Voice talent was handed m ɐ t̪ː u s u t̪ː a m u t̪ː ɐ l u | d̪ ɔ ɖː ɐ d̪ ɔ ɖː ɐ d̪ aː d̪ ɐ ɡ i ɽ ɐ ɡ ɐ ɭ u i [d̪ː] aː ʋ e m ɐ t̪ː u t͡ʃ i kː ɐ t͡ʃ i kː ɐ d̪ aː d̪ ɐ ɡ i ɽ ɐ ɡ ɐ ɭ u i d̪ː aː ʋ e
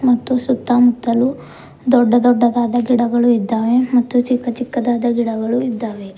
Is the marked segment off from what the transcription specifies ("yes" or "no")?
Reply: no